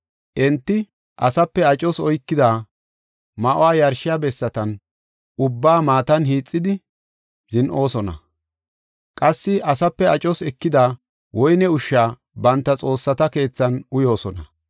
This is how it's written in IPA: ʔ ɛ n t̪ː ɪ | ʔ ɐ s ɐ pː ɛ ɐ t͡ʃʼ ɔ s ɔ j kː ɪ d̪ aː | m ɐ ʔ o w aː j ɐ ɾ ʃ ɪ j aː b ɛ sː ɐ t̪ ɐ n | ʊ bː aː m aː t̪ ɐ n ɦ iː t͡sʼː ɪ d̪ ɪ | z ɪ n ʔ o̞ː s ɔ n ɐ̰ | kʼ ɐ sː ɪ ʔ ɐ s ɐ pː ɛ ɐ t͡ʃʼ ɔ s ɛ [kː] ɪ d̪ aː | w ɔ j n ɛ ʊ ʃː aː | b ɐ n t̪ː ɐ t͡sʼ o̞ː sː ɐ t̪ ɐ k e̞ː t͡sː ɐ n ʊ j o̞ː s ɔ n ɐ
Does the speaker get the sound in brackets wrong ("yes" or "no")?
no